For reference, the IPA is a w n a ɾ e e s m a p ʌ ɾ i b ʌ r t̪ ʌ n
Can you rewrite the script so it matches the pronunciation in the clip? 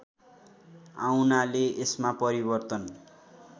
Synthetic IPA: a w n a l e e s m a p ʌ ɾ i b ʌ r t̪ ʌ n